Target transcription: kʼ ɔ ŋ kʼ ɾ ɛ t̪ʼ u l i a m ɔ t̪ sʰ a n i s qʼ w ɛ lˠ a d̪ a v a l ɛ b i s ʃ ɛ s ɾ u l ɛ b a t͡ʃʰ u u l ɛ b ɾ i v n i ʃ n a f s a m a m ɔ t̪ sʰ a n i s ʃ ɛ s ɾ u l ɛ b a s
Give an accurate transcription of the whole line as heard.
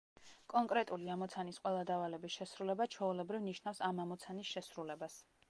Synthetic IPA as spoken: kʼ ɔ ŋ kʼ ɾ ɛ t̪ʼ u l i a m ɔ t̪ sʰ a n i s qʼ w ɛ lˠ a d̪ a v a l ɛ b i s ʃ ɛ s ɾ u l ɛ b a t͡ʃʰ ɔ u l ɛ b ɾ i v n i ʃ n a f s a m a m ɔ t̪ sʰ a n i s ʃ ɛ s ɾ u l ɛ b a s